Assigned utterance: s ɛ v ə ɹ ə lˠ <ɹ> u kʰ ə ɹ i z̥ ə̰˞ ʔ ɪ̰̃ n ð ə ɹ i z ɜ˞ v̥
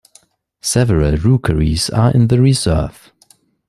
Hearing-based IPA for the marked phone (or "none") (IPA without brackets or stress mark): ɹ